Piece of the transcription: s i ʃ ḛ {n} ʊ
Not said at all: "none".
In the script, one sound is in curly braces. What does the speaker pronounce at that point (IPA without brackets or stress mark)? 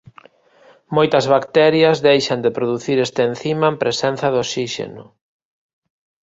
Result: n